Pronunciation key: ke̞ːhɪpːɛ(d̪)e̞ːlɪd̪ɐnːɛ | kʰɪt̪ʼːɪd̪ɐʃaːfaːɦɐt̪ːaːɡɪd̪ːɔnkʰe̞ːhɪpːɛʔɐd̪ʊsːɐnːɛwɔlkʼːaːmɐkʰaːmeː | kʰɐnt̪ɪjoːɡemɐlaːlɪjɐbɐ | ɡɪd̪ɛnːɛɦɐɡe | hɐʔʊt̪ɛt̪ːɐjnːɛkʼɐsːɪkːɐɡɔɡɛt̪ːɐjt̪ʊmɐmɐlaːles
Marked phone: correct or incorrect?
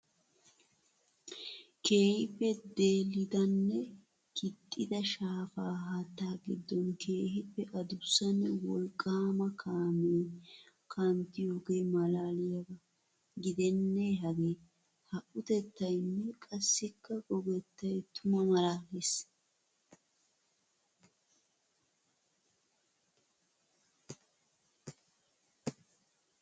correct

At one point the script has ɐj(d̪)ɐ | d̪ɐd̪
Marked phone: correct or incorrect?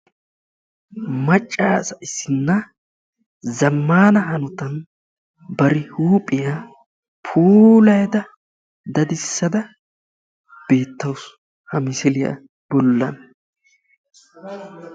correct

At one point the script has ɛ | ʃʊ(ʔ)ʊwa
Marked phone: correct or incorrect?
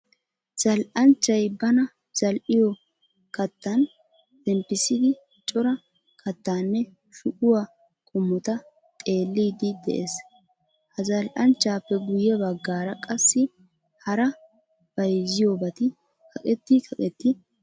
correct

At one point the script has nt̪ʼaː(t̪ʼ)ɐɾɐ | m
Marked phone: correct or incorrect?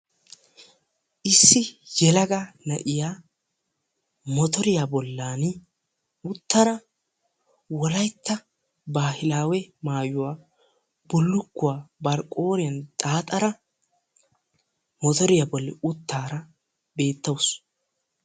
correct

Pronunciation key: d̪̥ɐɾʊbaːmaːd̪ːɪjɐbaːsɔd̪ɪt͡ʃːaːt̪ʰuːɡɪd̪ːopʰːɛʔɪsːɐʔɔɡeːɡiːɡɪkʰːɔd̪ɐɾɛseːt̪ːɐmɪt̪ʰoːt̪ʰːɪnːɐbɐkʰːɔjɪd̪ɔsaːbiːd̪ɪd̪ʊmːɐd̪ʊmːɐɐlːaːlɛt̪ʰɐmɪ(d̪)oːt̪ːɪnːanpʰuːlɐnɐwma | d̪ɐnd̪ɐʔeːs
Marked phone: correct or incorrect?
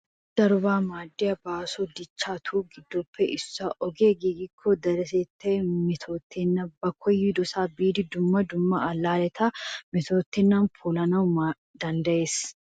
incorrect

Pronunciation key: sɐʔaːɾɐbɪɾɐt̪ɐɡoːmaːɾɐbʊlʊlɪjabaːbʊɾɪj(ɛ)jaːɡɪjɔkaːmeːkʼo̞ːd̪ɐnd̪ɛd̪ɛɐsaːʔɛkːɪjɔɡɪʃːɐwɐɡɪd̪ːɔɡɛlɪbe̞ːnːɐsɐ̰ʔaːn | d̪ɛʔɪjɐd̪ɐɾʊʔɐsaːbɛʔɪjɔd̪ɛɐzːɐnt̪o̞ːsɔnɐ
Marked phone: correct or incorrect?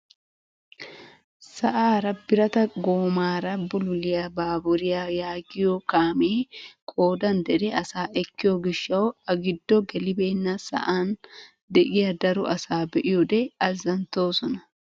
incorrect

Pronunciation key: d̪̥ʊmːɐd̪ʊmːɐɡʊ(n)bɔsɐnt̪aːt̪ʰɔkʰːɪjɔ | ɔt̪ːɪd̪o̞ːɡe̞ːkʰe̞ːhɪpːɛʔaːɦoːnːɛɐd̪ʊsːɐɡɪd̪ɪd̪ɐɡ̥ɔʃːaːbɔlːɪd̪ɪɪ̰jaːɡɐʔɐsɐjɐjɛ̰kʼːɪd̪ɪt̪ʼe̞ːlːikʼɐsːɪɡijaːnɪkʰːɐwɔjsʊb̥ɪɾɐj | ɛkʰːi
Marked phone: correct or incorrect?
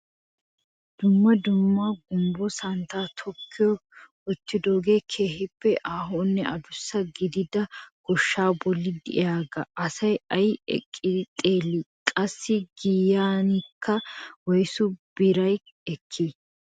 incorrect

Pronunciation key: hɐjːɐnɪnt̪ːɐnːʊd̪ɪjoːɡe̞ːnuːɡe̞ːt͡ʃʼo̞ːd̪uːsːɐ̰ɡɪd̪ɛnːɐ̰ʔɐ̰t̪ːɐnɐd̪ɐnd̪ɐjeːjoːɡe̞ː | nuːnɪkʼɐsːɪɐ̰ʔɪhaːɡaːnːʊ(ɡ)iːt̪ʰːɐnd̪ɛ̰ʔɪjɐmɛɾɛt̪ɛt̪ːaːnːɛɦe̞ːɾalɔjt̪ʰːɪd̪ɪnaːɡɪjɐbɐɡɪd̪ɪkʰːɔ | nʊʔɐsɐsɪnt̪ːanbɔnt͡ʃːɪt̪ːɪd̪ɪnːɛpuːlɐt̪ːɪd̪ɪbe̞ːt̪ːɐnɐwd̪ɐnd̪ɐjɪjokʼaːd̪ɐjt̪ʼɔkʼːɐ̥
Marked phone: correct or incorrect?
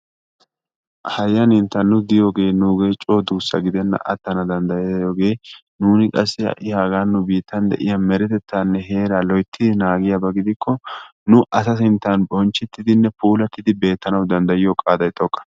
incorrect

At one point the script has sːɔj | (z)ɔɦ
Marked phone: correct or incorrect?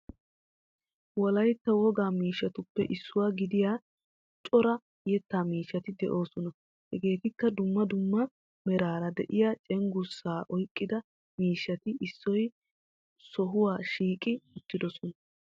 incorrect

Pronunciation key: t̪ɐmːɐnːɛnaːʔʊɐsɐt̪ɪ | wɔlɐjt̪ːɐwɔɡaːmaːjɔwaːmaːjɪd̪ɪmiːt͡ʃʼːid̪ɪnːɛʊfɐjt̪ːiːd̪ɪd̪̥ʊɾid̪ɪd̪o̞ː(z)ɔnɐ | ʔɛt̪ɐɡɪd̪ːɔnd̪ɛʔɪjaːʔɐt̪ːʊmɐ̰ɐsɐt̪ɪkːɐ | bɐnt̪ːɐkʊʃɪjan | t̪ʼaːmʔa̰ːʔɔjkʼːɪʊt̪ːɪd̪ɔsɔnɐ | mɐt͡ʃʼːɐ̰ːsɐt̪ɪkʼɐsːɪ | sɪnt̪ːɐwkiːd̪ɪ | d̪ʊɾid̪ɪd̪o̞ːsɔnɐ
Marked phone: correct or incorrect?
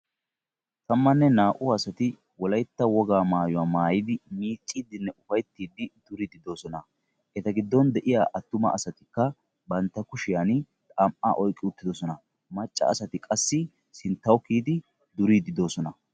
incorrect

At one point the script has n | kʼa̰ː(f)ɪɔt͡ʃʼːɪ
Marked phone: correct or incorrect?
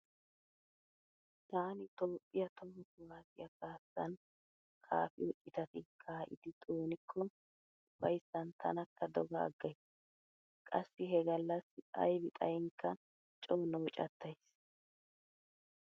correct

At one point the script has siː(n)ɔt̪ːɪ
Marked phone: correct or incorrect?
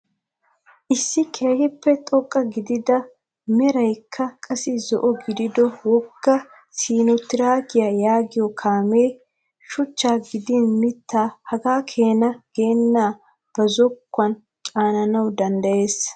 correct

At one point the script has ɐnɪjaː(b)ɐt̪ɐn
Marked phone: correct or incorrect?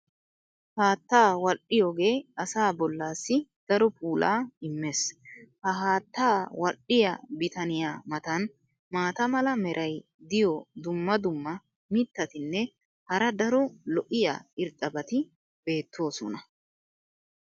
incorrect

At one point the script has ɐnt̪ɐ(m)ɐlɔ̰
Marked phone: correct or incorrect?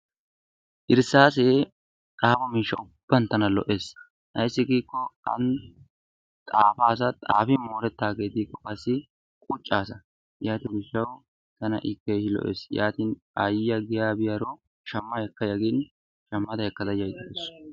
incorrect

